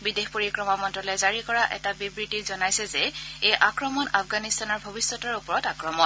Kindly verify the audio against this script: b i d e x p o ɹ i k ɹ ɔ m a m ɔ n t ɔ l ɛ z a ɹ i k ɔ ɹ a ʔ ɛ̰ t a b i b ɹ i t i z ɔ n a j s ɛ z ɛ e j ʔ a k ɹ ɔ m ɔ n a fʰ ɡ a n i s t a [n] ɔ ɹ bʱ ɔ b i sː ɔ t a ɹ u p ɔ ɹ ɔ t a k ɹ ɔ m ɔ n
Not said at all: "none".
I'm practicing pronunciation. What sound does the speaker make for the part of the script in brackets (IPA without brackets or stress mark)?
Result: n